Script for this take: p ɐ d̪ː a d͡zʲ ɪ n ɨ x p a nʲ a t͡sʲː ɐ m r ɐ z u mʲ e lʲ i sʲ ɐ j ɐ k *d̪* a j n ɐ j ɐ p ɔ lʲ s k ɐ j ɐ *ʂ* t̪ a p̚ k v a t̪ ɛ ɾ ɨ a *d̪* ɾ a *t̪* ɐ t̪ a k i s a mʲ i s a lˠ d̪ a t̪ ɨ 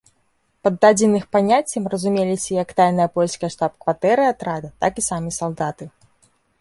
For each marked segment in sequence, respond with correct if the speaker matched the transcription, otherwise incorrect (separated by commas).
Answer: incorrect, correct, incorrect, incorrect